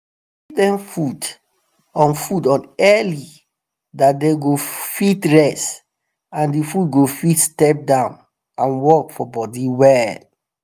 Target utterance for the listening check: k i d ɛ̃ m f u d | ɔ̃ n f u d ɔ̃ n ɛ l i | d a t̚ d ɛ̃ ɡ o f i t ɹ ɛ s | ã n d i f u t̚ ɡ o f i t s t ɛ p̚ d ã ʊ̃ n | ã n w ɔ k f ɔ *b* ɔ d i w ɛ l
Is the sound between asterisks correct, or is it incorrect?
correct